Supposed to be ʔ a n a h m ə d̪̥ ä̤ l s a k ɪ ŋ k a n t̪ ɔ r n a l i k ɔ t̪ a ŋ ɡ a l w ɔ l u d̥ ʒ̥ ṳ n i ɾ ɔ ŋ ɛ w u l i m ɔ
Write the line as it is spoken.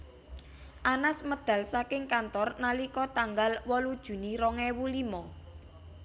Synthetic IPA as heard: ʔ a n a s m ə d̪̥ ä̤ l s a k ɪ ŋ k a n t̪ ɔ r n a l i k ɔ t̪ a ŋ ɡ a l w ɔ l u d̥ ʒ̥ ṳ n i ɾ ɔ ŋ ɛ w u l i m ɔ